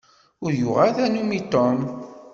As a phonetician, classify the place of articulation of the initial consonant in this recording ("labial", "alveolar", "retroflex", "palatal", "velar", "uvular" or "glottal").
alveolar